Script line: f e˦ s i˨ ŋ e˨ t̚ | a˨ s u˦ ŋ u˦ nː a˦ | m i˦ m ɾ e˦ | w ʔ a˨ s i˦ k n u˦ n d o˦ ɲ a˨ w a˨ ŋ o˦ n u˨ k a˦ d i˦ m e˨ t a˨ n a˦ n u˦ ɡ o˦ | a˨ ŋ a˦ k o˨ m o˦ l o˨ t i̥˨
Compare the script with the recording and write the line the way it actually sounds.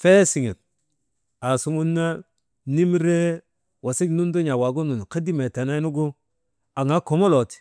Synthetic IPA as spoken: f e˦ s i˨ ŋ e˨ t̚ | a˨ s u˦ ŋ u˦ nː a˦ | n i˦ m ɾ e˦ | w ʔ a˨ s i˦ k n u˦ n d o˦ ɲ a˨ w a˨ ɡ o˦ n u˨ k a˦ d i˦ m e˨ t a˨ n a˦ n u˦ ɡ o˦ | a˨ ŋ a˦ k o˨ m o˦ l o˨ t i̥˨